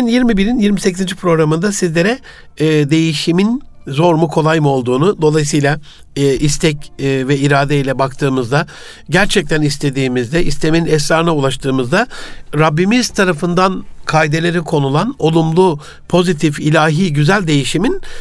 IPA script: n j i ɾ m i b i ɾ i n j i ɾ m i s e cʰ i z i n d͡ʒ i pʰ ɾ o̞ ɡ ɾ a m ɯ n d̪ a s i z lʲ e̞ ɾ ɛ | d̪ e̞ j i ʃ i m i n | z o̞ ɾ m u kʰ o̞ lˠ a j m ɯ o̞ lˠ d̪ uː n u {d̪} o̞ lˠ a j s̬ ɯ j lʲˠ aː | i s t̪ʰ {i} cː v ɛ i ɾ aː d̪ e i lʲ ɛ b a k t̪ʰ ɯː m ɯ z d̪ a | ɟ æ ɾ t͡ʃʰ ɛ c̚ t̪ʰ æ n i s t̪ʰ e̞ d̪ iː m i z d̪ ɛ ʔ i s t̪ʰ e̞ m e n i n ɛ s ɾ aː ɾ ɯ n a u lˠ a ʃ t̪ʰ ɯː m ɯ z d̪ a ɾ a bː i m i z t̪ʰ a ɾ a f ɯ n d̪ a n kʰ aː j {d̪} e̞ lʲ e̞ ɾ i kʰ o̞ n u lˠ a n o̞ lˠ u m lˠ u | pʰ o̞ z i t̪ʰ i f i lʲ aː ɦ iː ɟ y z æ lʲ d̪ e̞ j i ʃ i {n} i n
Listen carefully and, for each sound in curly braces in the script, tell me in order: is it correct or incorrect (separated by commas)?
correct, incorrect, correct, incorrect